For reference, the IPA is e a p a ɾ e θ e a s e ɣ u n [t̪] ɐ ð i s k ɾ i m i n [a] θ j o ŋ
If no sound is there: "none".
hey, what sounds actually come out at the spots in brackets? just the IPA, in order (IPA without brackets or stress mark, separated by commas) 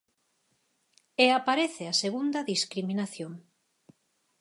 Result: d̪, a